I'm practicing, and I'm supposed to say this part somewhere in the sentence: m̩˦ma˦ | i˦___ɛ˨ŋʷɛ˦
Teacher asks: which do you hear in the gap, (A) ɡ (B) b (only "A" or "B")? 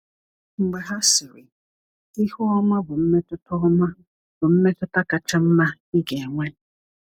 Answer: A